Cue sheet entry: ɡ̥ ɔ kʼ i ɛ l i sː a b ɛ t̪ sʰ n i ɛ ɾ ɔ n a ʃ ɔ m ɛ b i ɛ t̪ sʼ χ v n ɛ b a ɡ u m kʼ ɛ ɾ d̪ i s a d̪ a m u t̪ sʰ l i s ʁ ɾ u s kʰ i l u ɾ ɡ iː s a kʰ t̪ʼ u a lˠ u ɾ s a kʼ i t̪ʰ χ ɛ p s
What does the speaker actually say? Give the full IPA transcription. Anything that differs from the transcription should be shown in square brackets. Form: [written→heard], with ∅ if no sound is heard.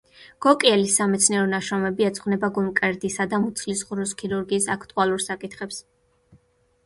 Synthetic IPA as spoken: ɡ̥ ɔ kʼ i ɛ l i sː a [b→m] ɛ t̪ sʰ n i ɛ ɾ ɔ n a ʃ ɔ m ɛ b i ɛ t̪ sʼ χ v n ɛ b a ɡ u m kʼ ɛ ɾ d̪ i s a d̪ a m u t̪ sʰ l i s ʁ ɾ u s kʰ i [l→ɾ] u ɾ ɡ iː s a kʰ t̪ʼ u a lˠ u ɾ s a kʼ i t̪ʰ χ ɛ p s